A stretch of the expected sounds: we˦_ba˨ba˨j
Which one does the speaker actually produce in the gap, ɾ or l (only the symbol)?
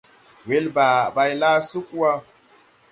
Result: l